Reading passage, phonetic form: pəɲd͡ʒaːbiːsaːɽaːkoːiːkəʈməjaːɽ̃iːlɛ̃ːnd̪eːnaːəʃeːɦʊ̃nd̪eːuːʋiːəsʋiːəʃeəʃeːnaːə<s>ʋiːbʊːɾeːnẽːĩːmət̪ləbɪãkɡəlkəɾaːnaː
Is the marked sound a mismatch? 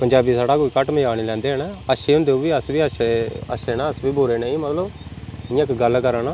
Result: no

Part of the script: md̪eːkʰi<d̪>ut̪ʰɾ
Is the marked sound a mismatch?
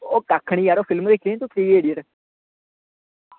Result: yes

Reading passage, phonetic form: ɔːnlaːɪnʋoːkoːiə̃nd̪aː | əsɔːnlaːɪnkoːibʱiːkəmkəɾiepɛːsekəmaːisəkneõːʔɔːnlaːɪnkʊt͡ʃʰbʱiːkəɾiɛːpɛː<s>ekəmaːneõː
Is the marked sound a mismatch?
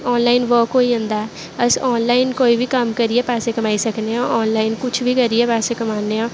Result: no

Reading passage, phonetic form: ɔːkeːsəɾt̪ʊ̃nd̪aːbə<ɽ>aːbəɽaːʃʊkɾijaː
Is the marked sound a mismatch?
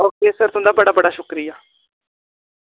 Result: no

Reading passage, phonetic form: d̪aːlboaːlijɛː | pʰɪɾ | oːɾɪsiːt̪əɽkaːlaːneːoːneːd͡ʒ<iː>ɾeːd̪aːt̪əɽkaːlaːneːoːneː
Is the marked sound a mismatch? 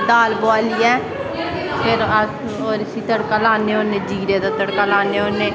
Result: no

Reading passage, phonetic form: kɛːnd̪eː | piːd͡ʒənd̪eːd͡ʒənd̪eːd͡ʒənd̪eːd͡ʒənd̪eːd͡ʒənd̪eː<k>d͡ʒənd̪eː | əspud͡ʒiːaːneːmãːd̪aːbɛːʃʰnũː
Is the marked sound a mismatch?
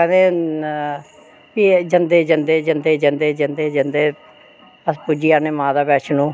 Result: yes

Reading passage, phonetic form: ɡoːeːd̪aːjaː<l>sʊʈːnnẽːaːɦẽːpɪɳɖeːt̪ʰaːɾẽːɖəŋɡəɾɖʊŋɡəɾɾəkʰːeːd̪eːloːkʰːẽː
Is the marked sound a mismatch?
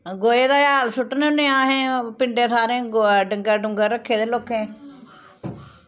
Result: no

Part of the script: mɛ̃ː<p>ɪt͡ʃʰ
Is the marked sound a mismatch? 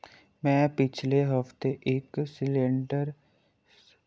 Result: no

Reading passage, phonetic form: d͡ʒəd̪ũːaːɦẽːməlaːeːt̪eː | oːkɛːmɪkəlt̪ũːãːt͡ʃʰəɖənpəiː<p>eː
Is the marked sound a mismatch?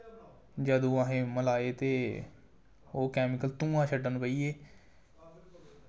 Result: yes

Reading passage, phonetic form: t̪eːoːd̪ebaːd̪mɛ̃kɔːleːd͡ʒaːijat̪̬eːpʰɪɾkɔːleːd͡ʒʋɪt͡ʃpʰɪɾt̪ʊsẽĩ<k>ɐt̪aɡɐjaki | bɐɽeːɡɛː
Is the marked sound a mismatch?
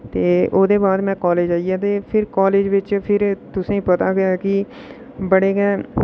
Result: yes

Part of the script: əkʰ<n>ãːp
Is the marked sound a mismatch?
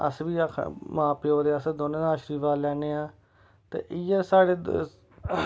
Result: yes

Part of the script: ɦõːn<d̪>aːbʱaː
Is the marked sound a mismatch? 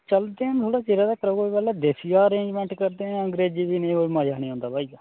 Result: no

